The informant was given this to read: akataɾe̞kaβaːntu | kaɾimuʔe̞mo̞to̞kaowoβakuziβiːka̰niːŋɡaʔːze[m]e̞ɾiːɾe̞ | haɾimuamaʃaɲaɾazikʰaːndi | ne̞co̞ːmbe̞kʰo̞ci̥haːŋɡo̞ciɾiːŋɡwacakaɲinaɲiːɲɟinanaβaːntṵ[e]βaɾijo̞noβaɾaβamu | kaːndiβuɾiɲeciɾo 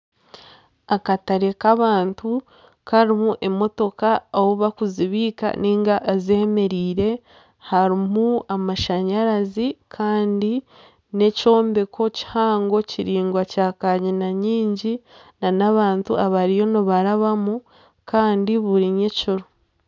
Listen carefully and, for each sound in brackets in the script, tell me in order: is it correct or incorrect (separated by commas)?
correct, incorrect